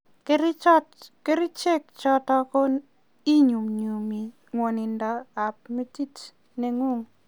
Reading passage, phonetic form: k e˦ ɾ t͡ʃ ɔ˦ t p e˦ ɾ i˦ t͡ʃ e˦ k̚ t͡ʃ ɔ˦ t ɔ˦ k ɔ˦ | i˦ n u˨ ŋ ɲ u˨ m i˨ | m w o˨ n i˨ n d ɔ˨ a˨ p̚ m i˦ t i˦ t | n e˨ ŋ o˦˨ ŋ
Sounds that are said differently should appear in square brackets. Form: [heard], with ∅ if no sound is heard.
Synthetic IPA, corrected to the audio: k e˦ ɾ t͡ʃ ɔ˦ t [k] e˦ ɾ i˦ t͡ʃ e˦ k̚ t͡ʃ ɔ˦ t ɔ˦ k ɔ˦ | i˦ [ɲ] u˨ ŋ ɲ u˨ m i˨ | [ŋ] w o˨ n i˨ n d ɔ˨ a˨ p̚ m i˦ t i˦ t | n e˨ ŋ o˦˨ ŋ

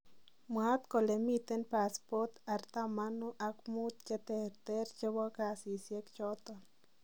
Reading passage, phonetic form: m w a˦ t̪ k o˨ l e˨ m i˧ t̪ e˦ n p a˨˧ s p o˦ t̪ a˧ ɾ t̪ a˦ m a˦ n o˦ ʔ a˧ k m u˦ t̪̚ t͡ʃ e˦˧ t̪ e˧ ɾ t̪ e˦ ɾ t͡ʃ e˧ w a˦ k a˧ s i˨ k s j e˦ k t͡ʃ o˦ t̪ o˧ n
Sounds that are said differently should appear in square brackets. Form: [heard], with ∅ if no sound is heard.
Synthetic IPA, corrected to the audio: m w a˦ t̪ k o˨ l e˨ m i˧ t̪ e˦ n p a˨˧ s p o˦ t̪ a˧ ɾ t̪ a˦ m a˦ n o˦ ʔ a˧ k m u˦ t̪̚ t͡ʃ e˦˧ t̪ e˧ ɾ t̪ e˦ ɾ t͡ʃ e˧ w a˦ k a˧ s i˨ [∅] s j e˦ k t͡ʃ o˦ t̪ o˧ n

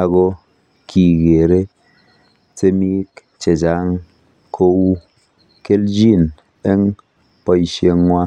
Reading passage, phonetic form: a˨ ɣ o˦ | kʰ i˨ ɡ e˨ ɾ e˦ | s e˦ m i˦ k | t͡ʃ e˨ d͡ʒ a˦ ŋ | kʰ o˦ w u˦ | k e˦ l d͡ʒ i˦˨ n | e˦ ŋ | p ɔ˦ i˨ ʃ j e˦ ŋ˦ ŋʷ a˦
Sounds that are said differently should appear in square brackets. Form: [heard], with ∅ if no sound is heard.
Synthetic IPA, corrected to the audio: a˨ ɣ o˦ | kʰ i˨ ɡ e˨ ɾ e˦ | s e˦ m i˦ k | t͡ʃ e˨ d͡ʒ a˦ ŋ | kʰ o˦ w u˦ | k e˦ l d͡ʒ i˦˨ n | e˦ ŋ | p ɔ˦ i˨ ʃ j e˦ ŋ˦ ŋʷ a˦

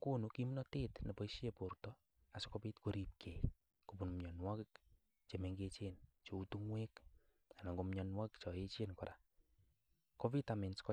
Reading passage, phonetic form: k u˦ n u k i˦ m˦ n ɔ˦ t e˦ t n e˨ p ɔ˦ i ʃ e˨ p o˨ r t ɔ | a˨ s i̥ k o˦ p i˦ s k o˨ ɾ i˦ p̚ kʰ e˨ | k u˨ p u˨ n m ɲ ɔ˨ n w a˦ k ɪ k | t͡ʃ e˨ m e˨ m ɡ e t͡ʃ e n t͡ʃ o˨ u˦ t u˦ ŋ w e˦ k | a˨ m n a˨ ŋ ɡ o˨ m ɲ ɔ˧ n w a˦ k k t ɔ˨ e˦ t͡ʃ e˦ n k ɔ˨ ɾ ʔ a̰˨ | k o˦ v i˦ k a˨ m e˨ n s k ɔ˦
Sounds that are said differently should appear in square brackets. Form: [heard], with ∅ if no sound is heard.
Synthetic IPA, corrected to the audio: k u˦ n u k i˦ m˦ n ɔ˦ t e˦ t n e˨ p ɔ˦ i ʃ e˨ p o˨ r t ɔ | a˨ s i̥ k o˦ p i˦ [t] k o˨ ɾ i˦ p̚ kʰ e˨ | k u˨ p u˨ n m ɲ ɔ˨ n w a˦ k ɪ k | t͡ʃ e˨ m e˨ [ŋ] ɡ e t͡ʃ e n t͡ʃ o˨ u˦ t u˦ ŋ w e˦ k | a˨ [∅] n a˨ ŋ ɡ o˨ m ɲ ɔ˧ n w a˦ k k [t͡ʃ] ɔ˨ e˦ t͡ʃ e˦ n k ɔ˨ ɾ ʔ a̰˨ | k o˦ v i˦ [t] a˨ m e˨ n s k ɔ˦

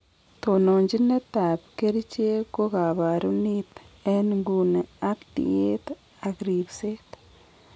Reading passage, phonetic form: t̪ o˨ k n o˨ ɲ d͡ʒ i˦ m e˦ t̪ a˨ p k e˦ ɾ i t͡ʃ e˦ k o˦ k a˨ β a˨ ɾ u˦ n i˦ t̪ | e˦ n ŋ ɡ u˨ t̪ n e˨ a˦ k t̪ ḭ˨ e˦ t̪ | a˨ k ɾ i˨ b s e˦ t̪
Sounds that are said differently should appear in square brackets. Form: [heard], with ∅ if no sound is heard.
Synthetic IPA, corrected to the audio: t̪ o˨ [∅] n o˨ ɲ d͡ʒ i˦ [n] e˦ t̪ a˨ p k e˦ ɾ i t͡ʃ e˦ k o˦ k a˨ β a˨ ɾ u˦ n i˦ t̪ | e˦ n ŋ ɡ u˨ [∅] n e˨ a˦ k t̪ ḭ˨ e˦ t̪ | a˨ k ɾ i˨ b s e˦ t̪

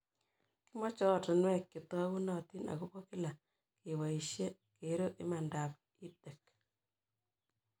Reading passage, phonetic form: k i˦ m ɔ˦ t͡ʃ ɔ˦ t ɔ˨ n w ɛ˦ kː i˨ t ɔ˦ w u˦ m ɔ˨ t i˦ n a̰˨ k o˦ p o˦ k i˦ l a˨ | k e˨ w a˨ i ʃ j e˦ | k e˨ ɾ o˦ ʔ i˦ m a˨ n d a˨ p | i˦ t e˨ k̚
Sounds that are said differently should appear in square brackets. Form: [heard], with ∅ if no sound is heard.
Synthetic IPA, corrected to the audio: k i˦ m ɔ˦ t͡ʃ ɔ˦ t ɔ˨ n w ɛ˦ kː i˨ t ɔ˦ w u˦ [n] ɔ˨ t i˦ n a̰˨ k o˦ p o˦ k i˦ l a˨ | k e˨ w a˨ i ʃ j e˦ | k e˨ ɾ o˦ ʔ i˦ m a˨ n d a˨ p | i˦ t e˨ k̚

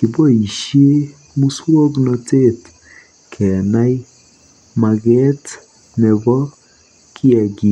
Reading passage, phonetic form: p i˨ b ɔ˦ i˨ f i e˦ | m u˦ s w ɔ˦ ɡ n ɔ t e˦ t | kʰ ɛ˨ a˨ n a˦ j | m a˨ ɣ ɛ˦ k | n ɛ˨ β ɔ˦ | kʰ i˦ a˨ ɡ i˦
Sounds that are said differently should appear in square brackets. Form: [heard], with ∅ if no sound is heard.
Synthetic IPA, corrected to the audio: [k] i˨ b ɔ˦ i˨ [ʃ] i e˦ | m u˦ s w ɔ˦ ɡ n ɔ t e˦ t | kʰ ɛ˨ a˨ n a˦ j | m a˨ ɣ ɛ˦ [t] | n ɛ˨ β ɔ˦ | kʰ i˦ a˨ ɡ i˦

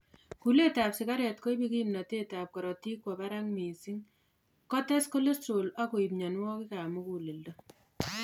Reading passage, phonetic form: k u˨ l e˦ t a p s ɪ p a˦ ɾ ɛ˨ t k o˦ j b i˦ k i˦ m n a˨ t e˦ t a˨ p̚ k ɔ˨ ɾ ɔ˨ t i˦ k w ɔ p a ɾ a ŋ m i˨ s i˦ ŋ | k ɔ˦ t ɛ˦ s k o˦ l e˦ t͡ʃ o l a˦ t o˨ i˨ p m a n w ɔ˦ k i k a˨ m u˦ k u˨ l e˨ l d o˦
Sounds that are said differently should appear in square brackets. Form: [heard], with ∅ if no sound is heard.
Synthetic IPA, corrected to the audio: k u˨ l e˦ t a p s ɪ [k] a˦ ɾ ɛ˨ t k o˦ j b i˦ k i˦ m n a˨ t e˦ t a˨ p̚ k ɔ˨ ɾ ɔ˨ t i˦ k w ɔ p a ɾ a ŋ m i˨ s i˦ ŋ | k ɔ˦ t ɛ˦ s k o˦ l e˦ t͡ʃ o l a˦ [k] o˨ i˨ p [ɲ] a n w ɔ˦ k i k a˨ m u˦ k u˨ l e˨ l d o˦

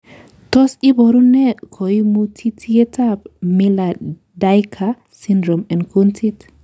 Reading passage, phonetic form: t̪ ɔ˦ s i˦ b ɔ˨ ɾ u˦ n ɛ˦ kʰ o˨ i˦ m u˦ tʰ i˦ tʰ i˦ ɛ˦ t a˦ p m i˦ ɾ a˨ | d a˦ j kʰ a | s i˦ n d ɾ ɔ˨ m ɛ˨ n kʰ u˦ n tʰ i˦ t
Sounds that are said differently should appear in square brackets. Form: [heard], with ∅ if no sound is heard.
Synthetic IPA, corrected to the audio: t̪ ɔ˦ s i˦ b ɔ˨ ɾ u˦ n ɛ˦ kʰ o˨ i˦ m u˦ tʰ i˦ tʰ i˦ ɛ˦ t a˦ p m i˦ [l] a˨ | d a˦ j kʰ a | s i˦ n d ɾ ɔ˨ m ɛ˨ n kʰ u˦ n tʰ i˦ t

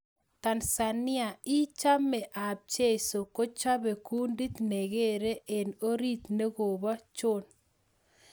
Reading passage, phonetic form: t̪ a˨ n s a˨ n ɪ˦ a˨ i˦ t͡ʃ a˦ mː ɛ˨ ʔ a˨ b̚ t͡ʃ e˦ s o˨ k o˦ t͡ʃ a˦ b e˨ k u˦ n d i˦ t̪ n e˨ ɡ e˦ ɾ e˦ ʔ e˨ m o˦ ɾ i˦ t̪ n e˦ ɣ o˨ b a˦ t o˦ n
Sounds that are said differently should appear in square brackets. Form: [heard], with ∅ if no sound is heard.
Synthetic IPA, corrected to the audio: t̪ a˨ n s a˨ n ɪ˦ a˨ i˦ t͡ʃ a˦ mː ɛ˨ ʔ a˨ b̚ t͡ʃ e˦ s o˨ k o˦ t͡ʃ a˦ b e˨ k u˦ n d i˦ t̪ n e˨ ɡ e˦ ɾ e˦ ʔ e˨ [n] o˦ ɾ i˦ t̪ n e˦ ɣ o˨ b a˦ [t͡ʃ] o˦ n

